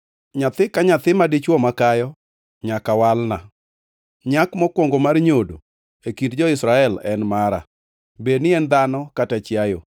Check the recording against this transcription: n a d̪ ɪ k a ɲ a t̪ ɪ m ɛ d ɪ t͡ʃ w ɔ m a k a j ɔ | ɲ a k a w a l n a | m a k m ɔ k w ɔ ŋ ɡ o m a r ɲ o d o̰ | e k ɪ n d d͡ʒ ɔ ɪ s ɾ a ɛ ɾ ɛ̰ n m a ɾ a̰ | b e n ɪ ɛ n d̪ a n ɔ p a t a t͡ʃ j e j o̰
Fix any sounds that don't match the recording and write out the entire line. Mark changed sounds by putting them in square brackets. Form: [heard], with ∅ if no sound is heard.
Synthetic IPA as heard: [ɲ] a [t̪] ɪ k a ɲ a t̪ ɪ m [a] d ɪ t͡ʃ w ɔ m a k a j ɔ | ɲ a k a w a l n a | [ɲ] a k m ɔ k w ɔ ŋ ɡ o m a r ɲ o d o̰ | e k [i] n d d͡ʒ ɔ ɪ s ɾ a ɛ [l] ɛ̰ n m a ɾ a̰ | b e n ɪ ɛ n d̪ a n ɔ [k] a t a t͡ʃ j [a] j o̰